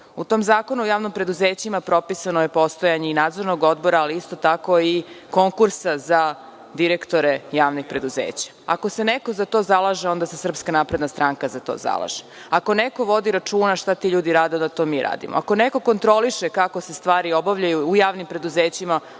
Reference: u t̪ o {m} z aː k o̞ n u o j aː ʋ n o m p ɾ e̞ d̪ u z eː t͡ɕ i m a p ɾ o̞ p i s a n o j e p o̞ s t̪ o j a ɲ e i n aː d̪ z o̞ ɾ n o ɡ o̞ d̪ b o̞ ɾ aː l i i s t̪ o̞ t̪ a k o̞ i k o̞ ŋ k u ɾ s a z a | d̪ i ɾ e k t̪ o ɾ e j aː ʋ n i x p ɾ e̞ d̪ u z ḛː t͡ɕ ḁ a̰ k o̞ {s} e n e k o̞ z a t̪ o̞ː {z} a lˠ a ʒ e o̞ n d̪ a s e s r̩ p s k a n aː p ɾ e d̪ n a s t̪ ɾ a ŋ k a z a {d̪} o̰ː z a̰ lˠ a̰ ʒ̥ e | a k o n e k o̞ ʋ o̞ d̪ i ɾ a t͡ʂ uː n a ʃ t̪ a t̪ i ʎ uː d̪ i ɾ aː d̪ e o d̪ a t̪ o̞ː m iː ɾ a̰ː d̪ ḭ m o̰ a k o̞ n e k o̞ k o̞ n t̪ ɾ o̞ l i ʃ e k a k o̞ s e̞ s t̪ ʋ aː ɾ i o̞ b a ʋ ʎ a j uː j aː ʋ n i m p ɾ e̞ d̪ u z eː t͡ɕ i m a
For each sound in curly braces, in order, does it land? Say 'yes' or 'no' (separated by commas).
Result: yes, yes, yes, no